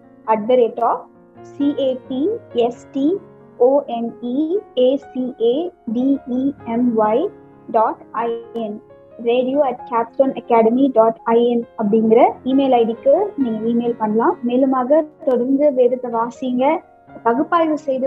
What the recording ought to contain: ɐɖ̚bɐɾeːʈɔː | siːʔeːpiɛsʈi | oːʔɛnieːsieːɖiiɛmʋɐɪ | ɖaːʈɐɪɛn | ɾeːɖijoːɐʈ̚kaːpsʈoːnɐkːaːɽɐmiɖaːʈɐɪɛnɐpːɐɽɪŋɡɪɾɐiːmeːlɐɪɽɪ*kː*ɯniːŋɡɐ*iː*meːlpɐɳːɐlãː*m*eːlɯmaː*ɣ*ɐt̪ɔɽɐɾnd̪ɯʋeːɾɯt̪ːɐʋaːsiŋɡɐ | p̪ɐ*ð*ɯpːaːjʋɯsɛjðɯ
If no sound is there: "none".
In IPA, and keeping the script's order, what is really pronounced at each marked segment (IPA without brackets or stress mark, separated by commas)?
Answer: kː, iː, m, ɣ, ɣ